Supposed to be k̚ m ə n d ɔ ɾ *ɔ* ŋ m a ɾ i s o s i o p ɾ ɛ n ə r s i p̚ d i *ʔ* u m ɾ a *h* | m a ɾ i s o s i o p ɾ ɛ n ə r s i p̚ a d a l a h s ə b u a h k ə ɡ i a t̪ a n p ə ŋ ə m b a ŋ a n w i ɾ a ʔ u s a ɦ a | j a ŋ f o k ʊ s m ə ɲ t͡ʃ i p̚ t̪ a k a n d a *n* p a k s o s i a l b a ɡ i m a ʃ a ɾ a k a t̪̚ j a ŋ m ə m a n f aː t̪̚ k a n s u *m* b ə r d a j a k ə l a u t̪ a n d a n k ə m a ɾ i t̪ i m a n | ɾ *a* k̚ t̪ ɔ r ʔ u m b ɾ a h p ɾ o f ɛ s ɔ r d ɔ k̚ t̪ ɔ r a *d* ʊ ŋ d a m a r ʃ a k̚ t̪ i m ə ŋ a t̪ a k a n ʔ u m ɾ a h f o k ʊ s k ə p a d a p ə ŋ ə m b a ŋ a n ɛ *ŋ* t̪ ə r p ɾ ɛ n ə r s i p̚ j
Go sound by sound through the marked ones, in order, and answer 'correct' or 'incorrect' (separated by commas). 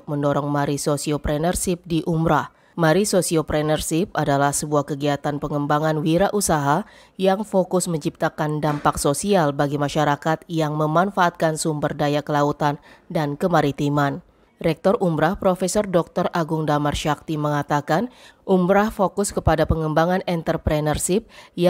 correct, correct, correct, incorrect, correct, incorrect, incorrect, incorrect